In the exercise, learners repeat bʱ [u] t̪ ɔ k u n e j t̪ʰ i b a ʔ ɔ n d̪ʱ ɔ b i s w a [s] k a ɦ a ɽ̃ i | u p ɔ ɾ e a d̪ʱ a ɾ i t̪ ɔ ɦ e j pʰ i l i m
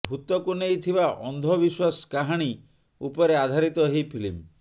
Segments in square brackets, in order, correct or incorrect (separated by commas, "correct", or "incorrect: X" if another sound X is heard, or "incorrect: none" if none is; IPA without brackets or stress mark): correct, correct